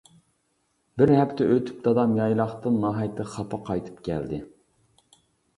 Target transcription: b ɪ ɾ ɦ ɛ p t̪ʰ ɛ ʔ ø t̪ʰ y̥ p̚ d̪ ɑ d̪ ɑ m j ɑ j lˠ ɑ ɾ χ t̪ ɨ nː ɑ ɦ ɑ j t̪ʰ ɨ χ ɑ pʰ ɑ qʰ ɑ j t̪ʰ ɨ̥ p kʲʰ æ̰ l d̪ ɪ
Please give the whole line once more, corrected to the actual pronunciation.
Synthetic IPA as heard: b ɪ ɾ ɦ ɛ p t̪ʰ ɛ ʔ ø t̪ʰ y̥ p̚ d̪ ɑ d̪ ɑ m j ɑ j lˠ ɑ χ t̪ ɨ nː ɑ ɦ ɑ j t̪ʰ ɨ χ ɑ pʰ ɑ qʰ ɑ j t̪ʰ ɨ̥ p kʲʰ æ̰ l d̪ ɪ